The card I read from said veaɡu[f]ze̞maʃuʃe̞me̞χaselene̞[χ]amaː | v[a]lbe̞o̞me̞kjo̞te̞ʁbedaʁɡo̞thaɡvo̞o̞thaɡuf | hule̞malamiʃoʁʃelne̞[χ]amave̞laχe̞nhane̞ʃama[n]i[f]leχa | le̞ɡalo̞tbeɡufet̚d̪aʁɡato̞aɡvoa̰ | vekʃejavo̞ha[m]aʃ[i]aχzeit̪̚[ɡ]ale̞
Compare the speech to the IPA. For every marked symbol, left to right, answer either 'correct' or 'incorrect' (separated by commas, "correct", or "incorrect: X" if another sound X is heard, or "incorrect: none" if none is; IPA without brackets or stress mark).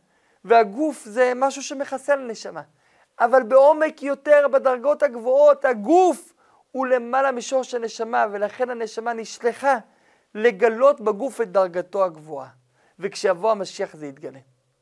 correct, incorrect: ʃ, correct, incorrect: ʃ, correct, incorrect: ʃ, correct, correct, correct